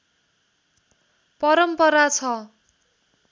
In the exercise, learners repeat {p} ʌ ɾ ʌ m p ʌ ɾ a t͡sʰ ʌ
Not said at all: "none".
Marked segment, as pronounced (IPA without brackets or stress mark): p